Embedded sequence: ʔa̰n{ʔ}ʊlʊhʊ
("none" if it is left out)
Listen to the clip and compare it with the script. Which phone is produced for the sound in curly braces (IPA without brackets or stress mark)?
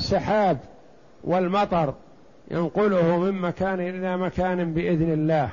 q